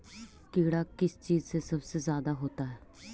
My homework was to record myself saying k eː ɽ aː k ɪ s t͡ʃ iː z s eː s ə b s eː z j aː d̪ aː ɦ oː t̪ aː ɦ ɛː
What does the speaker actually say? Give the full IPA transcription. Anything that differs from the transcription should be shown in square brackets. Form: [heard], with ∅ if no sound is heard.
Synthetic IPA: k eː ɽ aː k ɪ s t͡ʃ iː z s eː s ə b s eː z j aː d̪ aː ɦ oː t̪ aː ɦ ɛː